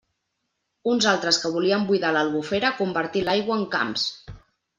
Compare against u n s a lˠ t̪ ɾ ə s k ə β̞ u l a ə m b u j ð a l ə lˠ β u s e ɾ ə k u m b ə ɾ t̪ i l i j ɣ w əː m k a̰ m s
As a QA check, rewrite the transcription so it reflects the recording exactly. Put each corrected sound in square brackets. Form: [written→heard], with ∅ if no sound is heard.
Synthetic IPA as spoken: u n [s→z] a lˠ t̪ ɾ ə s k ə β̞ u l [a→i] ə m b u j ð a l ə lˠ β u [s→f] e ɾ ə k u m b ə ɾ t̪ i l [i→a] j ɣ w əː [m→ŋ] k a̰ m s